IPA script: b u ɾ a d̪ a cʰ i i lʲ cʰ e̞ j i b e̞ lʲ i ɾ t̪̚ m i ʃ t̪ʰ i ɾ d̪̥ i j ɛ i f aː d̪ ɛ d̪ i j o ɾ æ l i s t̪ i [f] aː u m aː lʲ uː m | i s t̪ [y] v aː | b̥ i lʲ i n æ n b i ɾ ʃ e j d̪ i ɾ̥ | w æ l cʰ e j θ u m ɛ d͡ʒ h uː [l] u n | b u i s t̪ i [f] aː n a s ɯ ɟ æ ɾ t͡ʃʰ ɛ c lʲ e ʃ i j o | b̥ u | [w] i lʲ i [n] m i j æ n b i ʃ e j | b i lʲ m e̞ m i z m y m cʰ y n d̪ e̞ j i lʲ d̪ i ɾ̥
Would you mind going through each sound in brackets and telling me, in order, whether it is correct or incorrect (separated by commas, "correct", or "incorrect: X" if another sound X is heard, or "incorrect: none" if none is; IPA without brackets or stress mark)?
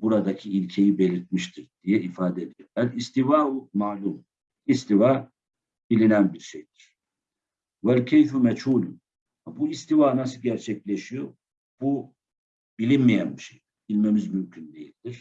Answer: incorrect: v, incorrect: i, correct, incorrect: v, incorrect: b, correct